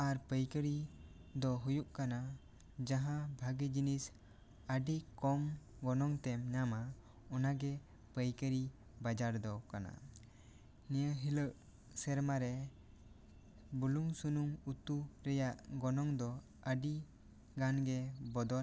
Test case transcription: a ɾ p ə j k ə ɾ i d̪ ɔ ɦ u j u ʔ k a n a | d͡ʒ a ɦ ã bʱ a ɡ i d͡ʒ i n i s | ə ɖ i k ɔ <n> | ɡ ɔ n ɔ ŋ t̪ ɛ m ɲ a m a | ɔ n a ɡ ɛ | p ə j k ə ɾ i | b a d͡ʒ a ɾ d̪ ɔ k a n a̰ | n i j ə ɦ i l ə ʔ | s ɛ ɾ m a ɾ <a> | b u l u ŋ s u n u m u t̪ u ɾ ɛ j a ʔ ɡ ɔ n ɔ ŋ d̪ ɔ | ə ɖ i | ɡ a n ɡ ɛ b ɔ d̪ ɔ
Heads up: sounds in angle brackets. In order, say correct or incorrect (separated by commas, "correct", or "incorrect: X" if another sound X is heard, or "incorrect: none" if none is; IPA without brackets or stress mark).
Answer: incorrect: m, incorrect: ɛ